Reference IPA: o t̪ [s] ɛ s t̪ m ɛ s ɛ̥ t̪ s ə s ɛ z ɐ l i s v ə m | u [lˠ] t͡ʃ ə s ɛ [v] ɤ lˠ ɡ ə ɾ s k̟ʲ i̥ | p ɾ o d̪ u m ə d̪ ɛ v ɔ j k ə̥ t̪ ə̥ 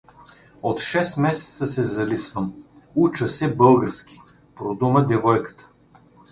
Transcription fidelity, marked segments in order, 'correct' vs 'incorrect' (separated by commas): incorrect, incorrect, incorrect